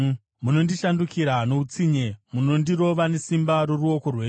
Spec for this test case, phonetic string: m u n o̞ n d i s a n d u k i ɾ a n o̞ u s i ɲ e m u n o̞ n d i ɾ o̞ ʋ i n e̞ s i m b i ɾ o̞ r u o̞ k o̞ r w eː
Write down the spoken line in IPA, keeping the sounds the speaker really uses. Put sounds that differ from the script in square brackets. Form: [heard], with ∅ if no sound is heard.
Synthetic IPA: m u n o̞ n d i [ʃ] a n d u k i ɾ a n o̞ u [t͡s] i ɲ e m u n o̞ n d i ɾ o̞ ʋ [a] n e̞ s i m b [a] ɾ o̞ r u o̞ k o̞ r w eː